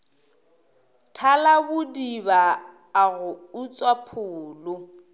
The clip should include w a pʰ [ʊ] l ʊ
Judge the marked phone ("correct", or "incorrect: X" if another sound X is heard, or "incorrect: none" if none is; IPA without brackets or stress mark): incorrect: ʊː